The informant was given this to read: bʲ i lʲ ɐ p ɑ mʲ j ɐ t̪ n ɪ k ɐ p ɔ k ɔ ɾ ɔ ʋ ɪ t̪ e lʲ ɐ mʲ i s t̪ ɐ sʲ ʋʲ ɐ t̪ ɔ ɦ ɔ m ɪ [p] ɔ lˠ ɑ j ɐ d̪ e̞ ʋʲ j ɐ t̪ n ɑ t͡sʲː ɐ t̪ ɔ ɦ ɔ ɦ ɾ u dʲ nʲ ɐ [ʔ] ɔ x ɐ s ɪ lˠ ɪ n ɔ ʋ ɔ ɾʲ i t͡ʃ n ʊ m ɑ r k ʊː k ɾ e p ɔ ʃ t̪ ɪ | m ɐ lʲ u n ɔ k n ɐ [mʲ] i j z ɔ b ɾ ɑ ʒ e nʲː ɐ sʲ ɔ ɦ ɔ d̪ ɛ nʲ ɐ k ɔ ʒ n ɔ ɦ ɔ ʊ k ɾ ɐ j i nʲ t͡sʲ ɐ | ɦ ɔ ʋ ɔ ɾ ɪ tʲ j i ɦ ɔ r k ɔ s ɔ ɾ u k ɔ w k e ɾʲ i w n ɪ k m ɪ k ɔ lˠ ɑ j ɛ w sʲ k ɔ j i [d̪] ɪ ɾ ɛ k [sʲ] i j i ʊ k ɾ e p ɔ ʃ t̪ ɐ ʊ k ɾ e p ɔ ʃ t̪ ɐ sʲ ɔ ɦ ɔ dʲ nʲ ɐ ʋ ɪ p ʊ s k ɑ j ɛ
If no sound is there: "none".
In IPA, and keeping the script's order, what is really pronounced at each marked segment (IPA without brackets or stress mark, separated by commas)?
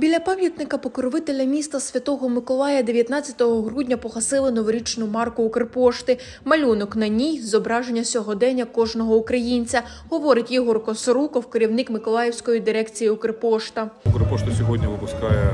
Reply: k, p, nʲ, d̪, t͡sʲ